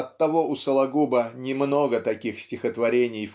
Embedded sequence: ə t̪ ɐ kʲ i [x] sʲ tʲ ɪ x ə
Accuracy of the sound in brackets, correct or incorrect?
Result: correct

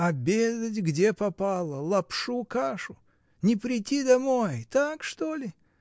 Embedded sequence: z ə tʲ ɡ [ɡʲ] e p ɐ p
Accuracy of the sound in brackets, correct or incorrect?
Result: incorrect: dʲ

